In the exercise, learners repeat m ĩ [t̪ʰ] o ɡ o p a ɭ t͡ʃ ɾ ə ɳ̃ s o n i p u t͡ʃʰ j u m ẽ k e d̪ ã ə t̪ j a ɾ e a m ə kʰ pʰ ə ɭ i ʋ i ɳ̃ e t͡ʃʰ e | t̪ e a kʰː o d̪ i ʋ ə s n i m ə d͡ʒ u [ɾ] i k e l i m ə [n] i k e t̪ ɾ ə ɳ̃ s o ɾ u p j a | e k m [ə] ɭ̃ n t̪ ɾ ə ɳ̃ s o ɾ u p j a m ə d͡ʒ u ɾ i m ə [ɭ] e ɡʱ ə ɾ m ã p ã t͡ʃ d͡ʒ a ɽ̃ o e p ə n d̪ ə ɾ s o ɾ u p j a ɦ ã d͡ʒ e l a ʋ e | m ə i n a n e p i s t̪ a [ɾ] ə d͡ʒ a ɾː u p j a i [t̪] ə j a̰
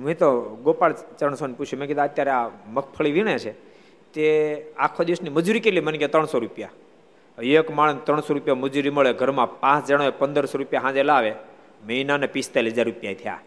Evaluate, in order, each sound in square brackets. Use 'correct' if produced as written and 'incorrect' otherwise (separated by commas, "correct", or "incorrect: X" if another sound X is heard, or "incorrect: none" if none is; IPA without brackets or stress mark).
incorrect: t̪, correct, correct, incorrect: a, correct, incorrect: l, incorrect: t̪ʰ